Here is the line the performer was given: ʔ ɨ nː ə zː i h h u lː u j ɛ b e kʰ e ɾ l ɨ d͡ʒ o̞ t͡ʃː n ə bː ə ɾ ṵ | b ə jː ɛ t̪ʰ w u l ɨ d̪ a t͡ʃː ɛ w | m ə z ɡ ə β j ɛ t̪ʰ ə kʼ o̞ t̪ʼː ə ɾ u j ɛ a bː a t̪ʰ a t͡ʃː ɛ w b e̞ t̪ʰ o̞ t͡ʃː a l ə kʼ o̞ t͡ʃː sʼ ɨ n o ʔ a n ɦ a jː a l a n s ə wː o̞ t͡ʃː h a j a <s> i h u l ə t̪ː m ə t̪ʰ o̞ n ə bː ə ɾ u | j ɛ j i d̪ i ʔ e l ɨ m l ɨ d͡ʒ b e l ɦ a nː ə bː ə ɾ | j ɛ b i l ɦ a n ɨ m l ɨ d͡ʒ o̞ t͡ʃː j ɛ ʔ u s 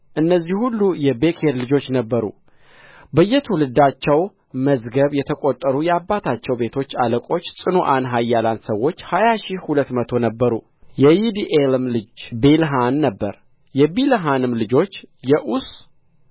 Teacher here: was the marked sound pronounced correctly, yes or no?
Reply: no